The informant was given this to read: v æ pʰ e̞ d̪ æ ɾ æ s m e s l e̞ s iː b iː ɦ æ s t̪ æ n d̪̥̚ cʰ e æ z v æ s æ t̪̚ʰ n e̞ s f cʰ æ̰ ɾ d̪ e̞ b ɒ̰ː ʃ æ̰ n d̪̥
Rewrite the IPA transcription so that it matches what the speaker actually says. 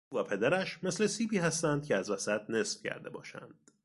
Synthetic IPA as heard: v æ pʰ e̞ d̪ æ ɾ æ ʃ m e s l e̞ s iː b iː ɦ æ s t̪ æ n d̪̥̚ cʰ e æ z v æ s æ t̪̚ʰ n e̞ s f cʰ æ̰ ɾ d̪ e̞ b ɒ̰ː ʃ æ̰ n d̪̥